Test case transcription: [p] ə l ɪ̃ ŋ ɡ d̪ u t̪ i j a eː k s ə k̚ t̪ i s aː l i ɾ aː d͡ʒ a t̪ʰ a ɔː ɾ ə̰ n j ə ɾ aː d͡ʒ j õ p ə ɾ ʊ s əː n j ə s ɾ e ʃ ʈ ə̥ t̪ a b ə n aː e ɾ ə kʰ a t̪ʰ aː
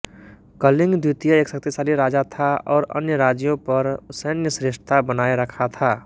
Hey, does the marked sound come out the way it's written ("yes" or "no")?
no